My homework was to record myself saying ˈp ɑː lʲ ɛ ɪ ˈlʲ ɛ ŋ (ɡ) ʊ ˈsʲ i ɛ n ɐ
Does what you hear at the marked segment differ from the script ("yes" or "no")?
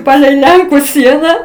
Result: yes